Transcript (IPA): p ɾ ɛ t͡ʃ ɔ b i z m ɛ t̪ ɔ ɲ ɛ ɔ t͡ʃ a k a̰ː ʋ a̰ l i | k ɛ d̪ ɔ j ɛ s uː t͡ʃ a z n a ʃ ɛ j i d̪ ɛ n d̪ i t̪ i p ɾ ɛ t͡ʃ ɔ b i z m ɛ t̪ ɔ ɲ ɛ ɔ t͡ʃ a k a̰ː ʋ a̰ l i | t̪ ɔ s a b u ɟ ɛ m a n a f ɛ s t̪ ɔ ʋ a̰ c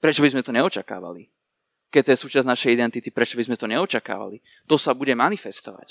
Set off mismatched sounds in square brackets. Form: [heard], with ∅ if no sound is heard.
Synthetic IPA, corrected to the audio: p ɾ ɛ t͡ʃ ɔ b i z m ɛ t̪ ɔ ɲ ɛ ɔ t͡ʃ a k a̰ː ʋ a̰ l i | k ɛ [t̪] ɔ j ɛ s uː t͡ʃ a z n a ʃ ɛ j i d̪ ɛ n [t̪] i t̪ i p ɾ ɛ t͡ʃ ɔ b i z m ɛ t̪ ɔ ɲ ɛ ɔ t͡ʃ a k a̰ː ʋ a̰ l i | t̪ ɔ s a b u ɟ ɛ m a n [i] f ɛ s t̪ ɔ ʋ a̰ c